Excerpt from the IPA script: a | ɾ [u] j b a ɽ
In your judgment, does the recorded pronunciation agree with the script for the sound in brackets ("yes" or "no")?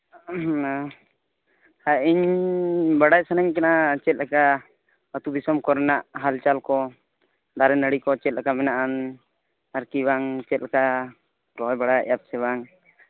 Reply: no